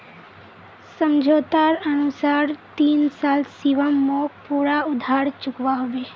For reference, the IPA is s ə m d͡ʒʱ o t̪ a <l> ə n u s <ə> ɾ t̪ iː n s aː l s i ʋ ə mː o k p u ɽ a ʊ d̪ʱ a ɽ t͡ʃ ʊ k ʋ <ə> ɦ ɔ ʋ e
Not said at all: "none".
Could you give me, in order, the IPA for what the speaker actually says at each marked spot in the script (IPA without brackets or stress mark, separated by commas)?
ɾ, a, a